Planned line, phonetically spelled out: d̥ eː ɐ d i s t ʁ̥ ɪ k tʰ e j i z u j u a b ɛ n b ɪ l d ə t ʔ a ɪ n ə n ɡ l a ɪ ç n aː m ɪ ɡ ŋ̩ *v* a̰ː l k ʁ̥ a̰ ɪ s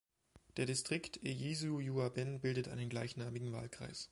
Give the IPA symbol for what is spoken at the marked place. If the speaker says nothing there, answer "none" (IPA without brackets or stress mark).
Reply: v